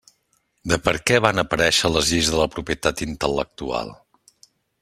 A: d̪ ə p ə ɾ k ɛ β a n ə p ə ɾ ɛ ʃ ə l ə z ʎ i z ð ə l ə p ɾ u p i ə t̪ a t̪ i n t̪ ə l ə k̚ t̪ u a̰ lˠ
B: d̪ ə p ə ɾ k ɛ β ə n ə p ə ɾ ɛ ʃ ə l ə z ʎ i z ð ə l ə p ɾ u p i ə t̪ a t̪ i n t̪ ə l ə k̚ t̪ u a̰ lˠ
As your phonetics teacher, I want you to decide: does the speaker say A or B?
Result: A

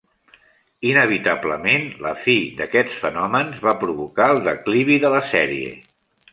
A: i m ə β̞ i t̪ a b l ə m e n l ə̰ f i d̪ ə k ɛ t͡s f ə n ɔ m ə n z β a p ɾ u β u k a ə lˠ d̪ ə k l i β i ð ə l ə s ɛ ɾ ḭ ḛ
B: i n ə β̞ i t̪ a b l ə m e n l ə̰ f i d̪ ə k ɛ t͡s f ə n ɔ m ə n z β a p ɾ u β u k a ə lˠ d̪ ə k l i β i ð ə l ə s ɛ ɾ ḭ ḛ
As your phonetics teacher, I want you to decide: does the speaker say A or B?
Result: B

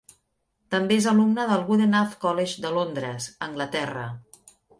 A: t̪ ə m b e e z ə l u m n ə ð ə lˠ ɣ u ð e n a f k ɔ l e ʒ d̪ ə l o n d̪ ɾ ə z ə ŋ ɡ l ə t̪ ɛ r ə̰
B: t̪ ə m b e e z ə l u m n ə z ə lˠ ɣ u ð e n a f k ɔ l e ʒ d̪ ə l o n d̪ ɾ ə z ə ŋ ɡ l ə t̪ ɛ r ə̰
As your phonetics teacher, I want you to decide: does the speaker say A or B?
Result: A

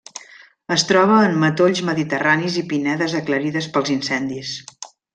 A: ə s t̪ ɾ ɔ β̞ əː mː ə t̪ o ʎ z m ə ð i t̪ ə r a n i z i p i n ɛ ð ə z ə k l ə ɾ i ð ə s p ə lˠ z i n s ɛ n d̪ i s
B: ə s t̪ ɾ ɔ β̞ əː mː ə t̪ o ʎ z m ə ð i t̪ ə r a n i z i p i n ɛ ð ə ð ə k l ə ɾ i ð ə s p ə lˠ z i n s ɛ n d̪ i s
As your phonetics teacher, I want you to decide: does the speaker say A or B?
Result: A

